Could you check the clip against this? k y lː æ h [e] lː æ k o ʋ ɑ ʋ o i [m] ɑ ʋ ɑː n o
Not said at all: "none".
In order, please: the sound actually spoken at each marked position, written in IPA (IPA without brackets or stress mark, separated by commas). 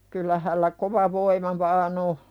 æ, m